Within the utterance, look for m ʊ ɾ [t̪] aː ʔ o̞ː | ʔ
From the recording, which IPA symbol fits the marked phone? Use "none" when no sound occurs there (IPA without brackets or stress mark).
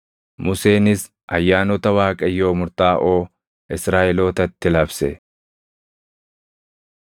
t̪